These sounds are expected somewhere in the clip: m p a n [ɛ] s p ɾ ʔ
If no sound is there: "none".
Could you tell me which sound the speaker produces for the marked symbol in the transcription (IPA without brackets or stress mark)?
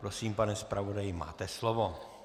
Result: ɛ